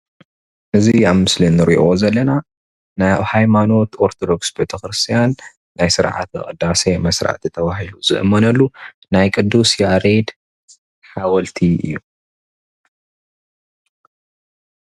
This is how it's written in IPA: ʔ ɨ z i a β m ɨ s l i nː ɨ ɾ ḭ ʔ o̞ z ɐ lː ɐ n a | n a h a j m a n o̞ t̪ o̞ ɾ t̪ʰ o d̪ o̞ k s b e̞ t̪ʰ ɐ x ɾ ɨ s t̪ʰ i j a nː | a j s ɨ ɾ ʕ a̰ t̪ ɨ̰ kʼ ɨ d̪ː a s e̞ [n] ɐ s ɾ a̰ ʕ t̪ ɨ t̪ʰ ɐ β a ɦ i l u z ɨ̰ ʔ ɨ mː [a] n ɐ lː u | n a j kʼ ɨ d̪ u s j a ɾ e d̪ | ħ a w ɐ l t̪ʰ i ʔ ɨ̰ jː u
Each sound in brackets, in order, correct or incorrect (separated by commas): incorrect, incorrect